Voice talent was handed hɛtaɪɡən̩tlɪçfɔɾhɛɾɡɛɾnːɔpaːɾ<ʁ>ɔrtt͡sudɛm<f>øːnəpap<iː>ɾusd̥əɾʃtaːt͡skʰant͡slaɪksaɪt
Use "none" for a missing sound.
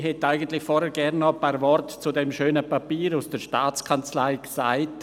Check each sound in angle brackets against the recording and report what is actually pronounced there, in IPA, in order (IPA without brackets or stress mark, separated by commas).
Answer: v, ʃ, iː